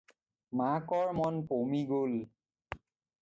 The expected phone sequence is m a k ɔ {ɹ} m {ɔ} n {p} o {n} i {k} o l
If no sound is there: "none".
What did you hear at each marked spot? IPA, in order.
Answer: ɹ, ɔ, p, m, ɡ

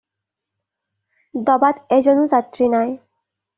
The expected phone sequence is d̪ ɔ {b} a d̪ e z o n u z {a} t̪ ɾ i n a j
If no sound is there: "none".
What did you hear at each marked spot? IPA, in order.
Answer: b, a

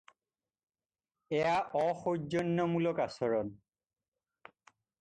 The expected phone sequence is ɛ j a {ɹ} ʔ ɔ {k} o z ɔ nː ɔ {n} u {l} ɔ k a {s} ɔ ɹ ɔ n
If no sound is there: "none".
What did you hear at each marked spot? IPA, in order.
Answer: none, x, m, l, s

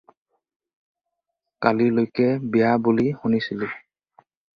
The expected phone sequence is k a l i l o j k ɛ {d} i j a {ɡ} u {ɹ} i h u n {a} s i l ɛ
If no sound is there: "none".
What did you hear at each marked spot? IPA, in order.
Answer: b, b, l, i

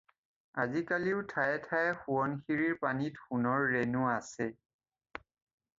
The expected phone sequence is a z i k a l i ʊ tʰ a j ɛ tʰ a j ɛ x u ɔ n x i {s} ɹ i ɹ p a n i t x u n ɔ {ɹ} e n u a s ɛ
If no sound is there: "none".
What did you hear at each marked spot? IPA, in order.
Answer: none, ɹː

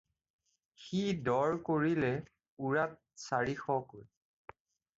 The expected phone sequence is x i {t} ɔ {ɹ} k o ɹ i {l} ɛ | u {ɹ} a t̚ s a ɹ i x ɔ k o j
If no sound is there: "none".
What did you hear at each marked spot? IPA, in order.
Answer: d, ɹ, l, ɹ

